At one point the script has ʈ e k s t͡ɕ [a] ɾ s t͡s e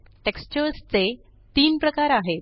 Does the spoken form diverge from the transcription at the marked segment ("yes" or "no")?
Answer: yes